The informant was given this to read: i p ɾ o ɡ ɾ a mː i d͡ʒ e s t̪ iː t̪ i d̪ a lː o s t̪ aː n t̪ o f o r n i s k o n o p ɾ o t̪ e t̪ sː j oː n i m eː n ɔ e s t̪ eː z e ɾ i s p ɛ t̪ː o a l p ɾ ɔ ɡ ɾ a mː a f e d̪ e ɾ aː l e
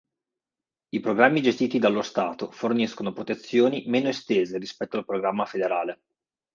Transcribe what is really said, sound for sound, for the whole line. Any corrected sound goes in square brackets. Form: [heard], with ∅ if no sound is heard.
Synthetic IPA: i p ɾ o ɡ ɾ a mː i d͡ʒ e s t̪ iː t̪ i d̪ a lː o s t̪ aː [∅] t̪ o f o r n i s k o n o p ɾ o t̪ e t̪ sː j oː n i m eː n [o] e s t̪ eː z e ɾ i s p ɛ t̪ː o a l p ɾ [o] ɡ ɾ a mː a f e d̪ e ɾ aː l e